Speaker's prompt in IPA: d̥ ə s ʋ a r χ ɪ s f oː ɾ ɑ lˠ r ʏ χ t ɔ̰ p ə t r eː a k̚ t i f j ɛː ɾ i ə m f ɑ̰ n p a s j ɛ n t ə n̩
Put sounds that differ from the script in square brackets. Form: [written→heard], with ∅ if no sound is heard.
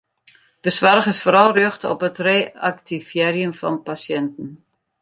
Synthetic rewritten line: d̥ ə s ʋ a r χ ɪ s f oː ɾ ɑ lˠ r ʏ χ t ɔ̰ p ə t r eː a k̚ t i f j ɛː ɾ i ə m f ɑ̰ n p a s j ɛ n t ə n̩